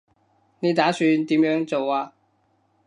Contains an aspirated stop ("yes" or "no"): no